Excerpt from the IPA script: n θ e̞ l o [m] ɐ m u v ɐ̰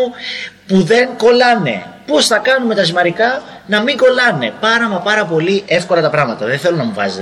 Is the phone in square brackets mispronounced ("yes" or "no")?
yes